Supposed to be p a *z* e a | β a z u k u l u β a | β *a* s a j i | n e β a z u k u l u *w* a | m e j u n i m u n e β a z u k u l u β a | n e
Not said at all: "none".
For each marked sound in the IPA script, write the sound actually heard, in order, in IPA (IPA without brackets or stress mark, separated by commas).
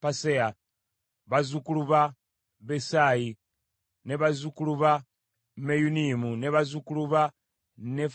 s, e, β